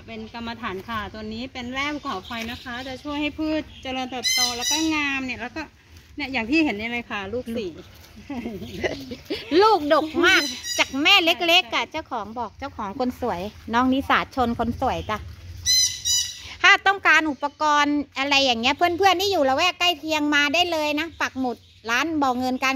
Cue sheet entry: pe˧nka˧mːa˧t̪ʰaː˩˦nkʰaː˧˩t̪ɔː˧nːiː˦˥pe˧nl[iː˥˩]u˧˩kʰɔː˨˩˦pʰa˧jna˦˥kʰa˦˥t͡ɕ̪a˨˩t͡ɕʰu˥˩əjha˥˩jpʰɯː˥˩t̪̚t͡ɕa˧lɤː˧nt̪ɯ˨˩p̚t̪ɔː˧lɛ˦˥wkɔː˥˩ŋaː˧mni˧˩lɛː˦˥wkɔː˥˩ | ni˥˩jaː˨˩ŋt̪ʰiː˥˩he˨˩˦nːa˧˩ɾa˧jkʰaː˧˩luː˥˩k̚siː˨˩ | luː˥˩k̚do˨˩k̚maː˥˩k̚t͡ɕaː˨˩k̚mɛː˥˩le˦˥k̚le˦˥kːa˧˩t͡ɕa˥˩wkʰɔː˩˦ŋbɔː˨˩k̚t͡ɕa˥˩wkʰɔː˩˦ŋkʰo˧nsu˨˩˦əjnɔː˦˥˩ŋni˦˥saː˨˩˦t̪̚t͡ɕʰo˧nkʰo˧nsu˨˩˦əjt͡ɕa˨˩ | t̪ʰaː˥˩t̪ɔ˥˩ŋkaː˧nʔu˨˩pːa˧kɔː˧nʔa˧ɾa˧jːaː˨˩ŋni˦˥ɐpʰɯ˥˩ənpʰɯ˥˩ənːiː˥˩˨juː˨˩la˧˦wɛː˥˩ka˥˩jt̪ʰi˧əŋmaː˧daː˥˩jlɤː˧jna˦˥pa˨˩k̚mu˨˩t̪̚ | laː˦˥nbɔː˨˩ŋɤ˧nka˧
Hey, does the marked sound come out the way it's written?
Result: no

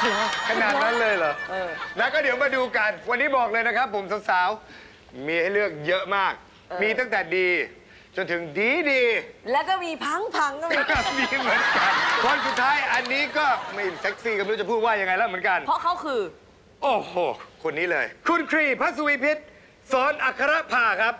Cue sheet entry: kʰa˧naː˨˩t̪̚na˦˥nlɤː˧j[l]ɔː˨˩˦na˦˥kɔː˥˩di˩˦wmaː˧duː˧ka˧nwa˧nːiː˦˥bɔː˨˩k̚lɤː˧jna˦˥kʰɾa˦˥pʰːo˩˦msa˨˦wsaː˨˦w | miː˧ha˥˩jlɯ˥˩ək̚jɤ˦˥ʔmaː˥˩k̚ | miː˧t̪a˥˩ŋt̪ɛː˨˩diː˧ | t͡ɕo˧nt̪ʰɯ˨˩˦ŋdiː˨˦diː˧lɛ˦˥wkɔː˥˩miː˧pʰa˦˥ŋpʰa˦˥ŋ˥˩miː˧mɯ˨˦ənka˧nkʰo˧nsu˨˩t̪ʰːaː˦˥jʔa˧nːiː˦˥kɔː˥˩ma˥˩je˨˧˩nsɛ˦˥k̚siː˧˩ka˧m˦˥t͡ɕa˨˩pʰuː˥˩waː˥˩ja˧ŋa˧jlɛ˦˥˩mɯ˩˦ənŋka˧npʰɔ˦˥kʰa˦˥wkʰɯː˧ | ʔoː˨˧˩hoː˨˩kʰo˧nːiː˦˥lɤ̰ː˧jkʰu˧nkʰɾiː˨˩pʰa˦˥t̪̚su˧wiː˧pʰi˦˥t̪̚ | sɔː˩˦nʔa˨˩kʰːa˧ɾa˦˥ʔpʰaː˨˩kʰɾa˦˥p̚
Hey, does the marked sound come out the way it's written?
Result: yes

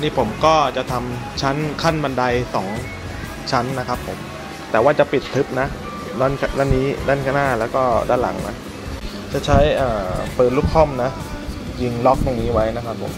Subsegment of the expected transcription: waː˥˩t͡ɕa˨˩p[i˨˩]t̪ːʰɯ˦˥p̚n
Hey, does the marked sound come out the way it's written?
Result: yes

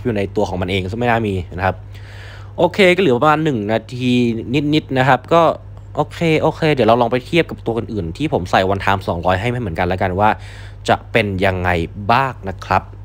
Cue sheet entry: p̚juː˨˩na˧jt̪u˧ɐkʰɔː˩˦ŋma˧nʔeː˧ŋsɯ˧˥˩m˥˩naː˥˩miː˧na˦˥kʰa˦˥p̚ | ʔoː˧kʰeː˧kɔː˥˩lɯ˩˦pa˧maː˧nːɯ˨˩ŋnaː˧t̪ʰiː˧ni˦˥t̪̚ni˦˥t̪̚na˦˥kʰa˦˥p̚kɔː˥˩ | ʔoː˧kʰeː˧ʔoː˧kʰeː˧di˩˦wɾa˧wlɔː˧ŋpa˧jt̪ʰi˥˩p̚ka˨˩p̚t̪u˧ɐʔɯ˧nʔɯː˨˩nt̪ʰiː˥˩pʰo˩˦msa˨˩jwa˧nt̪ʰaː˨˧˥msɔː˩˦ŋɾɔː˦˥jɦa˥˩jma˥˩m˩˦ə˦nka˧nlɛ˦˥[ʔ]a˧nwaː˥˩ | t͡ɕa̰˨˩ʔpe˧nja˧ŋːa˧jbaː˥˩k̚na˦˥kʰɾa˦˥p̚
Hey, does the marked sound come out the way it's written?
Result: no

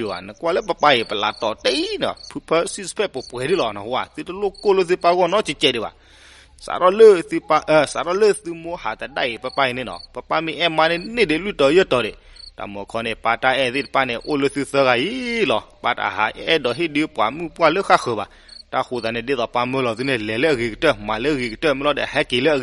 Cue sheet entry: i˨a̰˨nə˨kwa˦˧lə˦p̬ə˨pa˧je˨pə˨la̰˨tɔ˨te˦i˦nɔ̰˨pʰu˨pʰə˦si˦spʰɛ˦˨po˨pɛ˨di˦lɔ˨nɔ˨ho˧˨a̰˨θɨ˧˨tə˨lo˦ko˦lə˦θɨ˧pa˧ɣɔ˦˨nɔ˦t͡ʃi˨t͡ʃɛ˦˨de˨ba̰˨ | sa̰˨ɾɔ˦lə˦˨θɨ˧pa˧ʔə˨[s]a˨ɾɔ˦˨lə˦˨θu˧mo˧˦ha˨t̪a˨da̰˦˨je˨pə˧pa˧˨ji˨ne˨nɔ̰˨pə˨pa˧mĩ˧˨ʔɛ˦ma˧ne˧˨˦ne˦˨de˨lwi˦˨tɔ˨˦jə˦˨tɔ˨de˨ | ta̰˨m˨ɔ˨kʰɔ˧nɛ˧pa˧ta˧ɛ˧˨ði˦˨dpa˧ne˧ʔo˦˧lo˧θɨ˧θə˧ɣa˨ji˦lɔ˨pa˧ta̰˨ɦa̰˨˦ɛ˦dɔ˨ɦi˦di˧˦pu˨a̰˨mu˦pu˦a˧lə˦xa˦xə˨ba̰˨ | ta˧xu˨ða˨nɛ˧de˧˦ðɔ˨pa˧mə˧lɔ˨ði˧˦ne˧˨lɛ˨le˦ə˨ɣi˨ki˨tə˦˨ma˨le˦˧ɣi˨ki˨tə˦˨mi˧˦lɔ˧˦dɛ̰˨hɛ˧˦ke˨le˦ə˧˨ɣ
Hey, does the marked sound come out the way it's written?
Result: yes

